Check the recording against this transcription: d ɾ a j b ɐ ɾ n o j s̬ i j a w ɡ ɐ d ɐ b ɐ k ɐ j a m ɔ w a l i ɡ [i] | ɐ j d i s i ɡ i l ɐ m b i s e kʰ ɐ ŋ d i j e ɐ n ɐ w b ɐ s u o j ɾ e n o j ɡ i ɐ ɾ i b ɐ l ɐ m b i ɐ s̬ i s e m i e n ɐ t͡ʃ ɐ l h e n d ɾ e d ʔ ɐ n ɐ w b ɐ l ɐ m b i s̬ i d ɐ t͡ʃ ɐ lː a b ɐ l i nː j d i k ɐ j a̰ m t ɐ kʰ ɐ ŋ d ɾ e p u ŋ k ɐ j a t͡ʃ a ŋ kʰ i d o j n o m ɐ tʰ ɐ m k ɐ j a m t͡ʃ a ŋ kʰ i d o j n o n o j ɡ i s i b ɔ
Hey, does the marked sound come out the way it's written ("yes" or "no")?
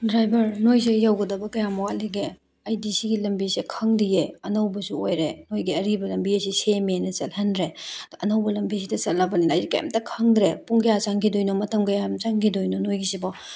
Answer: no